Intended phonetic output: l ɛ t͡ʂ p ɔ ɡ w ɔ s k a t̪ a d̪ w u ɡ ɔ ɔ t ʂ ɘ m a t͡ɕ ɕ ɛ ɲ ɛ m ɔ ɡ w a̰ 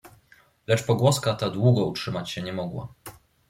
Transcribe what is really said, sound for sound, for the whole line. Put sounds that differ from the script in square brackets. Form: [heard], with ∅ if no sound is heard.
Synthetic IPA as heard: l ɛ t͡ʂ p ɔ ɡ w ɔ s k a t̪ a d̪ w u ɡ ɔ [u] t ʂ ɘ m a t͡ɕ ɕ ɛ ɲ ɛ m ɔ ɡ w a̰